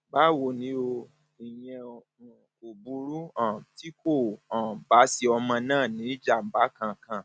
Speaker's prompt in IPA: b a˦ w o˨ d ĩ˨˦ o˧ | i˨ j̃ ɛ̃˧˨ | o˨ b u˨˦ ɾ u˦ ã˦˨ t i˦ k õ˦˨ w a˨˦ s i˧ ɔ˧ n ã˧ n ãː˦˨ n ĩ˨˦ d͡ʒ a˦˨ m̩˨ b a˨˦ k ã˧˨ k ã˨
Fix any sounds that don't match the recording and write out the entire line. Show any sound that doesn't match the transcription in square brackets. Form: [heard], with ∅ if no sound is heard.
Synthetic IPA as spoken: b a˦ w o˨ [n] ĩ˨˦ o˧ | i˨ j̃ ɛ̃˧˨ | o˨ b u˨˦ ɾ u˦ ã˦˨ t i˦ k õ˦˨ [b] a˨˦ s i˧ ɔ˧ [m] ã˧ n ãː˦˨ n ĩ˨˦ d͡ʒ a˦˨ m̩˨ b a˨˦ k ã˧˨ k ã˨